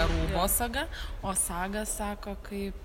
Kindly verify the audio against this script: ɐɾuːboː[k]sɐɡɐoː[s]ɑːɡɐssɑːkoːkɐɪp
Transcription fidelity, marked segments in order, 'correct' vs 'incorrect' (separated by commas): incorrect, correct